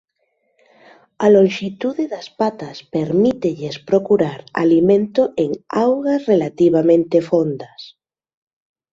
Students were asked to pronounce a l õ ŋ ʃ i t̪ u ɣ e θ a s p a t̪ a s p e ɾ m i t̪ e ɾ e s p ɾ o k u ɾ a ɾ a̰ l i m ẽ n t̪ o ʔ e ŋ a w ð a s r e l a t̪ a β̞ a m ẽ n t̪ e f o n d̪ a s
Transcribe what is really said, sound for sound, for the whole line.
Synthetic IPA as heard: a l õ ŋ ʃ i t̪ u ð e ð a s p a t̪ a s p e ɾ m i t̪ e ʎ e s p ɾ o k u ɾ a ɾ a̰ l i m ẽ n t̪ o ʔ e ŋ a w ɣ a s r e l a t̪ i β̞ a m ẽ n t̪ e f o n d̪ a s

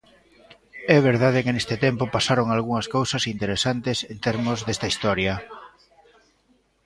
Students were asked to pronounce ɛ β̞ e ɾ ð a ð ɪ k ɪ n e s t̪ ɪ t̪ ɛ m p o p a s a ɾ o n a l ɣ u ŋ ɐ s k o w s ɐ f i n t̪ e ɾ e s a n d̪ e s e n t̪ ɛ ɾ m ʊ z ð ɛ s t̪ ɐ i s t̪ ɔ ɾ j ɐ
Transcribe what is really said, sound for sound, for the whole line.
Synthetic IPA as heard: ɛ β̞ e ɾ ð a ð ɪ k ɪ n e s t̪ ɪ t̪ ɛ m p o p a s a ɾ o ŋ a l ɣ u ŋ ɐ s k o w s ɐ s i n t̪ e ɾ e s a n t̪ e s e n t̪ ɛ ɾ m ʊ z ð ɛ s t̪ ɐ i s t̪ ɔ ɾ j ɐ

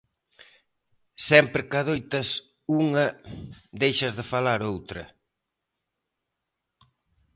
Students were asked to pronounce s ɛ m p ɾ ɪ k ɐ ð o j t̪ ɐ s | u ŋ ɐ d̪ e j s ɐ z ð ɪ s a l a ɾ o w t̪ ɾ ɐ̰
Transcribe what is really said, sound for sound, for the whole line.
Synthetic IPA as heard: s ɛ m p ɾ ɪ k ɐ ð o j t̪ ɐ s | u ŋ ɐ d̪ e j ʃ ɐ z ð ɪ f a l a ɾ o w t̪ ɾ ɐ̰

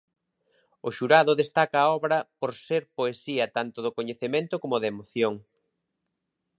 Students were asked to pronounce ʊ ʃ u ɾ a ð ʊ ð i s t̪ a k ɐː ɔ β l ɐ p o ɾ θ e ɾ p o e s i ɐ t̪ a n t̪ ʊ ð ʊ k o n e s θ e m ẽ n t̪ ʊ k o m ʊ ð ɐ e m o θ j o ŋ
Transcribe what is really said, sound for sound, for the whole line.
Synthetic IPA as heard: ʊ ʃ u ɾ a ð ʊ ð e s t̪ a k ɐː ɔ β ɾ ɐ p o ɾ s e ɾ p o e s i ɐ t̪ a n t̪ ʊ ð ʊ k o ɲ e θ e m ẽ n t̪ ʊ k o m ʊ ð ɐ e m o θ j o ŋ

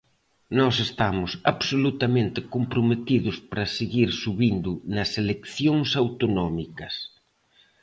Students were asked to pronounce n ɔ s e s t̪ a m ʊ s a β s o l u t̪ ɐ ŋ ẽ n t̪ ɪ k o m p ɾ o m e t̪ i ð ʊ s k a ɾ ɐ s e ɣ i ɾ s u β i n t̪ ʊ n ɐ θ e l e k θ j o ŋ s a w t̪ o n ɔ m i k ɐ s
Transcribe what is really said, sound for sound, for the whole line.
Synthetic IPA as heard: n ɔ s e s t̪ a m ʊ s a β s o l u t̪ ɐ m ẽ n t̪ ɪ k o m p ɾ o m e t̪ i ð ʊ s p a ɾ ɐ s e ɣ i ɾ s u β i n d̪ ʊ n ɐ s e l e k θ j o ŋ s a w t̪ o n ɔ m i k ɐ s

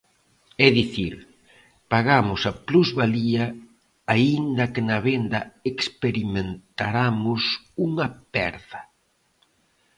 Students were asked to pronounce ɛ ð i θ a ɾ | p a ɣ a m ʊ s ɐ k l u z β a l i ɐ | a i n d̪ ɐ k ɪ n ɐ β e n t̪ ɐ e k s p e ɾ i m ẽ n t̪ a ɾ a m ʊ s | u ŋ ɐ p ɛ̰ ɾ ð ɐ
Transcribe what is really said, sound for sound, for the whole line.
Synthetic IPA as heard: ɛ ð i θ i ɾ | p a ɣ a m ʊ s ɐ p l u z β a l i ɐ | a i n d̪ ɐ k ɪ n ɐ β e n d̪ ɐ e k s p e ɾ i m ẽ n t̪ a ɾ a m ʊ s | u ŋ ɐ p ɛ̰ ɾ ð ɐ

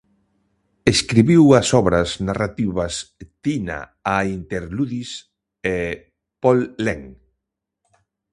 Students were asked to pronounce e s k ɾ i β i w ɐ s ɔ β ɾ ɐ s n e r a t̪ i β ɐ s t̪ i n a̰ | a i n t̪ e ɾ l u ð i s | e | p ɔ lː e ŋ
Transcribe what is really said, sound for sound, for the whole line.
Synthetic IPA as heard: e s k ɾ i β i w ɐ s ɔ β ɾ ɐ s n a r a t̪ i β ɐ s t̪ i n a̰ | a i n t̪ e ɾ l u ð i s | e | p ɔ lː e ŋ

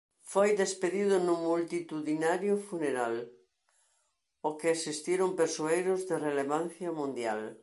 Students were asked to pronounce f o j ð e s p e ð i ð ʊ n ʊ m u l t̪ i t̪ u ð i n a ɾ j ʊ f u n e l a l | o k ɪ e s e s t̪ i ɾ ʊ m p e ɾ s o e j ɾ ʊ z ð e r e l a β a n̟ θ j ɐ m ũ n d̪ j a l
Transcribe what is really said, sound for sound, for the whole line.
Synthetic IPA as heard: f o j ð e s p e ð i ð ʊ n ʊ m u l t̪ i t̪ u ð i n a ɾ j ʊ f u n e ɾ a l | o k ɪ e s i s t̪ i ɾ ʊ m p e ɾ s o e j ɾ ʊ z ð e r e l e β a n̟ θ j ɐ m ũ n d̪ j a l

